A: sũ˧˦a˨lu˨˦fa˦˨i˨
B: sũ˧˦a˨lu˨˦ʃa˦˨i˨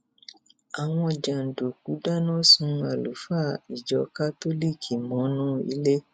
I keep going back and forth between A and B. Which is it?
A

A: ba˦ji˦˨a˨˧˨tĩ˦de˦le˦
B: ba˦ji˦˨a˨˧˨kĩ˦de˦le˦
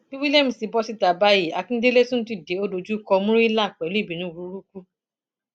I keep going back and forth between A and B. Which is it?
B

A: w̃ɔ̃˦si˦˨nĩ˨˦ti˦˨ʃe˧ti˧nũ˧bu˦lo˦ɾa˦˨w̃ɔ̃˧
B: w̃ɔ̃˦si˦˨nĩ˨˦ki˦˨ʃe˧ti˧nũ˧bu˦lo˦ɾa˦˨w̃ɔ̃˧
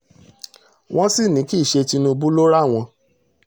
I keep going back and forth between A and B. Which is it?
B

